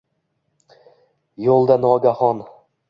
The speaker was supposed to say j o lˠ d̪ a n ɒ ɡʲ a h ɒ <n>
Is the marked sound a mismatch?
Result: no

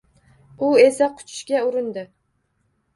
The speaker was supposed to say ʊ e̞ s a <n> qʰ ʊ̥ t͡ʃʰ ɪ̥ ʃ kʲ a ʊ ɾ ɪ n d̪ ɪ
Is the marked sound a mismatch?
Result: yes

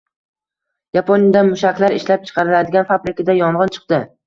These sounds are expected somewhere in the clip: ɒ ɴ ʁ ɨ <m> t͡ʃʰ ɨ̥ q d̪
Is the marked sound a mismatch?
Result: yes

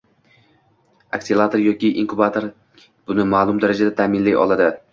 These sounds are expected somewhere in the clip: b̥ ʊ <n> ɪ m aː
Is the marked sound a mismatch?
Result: no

